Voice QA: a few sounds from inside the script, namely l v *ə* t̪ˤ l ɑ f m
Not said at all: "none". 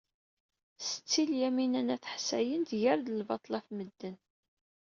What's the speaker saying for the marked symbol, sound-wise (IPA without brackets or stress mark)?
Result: ɑ